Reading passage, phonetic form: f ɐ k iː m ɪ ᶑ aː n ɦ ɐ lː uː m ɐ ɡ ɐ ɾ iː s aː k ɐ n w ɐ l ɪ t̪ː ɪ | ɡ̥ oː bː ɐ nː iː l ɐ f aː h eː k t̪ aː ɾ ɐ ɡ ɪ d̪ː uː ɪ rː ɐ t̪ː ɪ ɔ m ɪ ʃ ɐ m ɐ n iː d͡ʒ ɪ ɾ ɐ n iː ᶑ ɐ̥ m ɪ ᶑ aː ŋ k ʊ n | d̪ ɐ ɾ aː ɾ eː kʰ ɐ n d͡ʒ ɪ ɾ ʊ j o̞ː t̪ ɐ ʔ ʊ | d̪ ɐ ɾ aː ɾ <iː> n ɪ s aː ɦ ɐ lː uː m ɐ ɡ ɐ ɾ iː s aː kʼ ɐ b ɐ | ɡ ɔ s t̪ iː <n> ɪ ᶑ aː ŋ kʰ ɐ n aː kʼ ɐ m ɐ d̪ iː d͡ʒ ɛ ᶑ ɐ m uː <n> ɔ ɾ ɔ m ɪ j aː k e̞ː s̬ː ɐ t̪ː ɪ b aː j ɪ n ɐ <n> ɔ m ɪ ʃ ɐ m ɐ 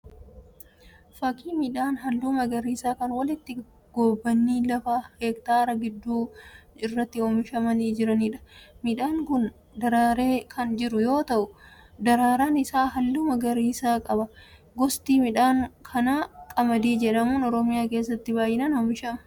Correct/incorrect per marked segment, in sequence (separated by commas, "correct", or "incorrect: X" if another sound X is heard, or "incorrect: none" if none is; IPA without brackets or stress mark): incorrect: aː, incorrect: m, correct, correct